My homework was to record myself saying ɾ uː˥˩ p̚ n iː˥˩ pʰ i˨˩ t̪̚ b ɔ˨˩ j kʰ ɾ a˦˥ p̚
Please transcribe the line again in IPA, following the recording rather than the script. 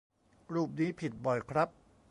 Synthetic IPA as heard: ɾ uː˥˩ p̚ n iː˦˥ pʰ i˨˩ t̪̚ b ɔ˨˩ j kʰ ɾ a˦˥ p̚